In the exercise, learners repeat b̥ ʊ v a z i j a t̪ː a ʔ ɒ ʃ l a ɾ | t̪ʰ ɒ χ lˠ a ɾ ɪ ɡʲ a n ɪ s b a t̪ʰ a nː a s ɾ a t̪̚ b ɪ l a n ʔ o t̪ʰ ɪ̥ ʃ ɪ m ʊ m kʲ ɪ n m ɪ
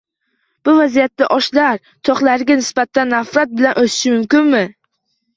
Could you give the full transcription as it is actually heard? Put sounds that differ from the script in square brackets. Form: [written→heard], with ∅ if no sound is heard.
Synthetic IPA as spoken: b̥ ʊ v a z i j a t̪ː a ʔ ɒ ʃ l a ɾ | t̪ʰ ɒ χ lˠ a ɾ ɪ ɡʲ a n ɪ s b a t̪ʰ a nː a [s→f] ɾ a t̪̚ b ɪ l a n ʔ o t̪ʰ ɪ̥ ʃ ɪ m ʊ m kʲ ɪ n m ɪ